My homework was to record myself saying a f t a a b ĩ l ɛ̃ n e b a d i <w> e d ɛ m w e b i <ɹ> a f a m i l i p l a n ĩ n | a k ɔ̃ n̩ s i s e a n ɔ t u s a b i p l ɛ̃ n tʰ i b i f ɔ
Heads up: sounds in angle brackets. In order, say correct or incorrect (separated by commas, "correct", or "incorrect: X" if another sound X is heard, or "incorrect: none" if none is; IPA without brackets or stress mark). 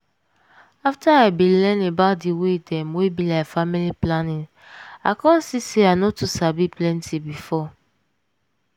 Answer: correct, incorrect: l